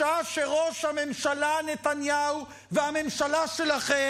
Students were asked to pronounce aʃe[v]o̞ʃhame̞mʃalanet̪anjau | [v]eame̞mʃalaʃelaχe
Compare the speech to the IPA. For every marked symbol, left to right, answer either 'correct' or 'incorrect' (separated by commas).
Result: incorrect, correct